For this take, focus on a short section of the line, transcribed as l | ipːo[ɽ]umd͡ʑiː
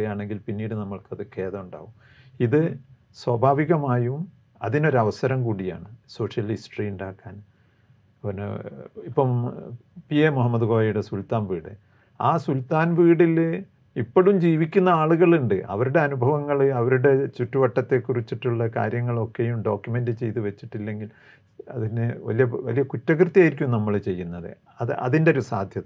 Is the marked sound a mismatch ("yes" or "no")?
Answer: no